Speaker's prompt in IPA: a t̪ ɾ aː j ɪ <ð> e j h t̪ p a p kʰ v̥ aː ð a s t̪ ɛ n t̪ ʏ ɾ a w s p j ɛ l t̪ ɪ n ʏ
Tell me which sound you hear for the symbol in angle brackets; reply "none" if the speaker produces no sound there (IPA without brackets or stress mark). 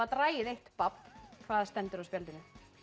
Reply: ð